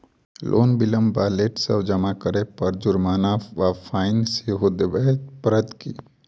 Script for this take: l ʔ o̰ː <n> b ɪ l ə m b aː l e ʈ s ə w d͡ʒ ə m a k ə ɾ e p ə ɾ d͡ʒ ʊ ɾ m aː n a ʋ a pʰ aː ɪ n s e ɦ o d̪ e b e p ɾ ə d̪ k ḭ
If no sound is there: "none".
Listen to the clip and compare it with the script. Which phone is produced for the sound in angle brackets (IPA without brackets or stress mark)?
n